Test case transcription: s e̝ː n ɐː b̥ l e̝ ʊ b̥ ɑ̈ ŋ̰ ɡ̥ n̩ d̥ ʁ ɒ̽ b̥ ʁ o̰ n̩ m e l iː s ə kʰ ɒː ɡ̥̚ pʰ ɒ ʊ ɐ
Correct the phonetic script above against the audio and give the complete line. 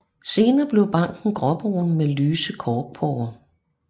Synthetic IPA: s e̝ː n ɐː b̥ l e̝ ʊ b̥ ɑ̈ ŋ̰ ɡ̥ n̩ ɡ̥ ʁ ɒ̽ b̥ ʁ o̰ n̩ m e l yː s ə kʰ ɒː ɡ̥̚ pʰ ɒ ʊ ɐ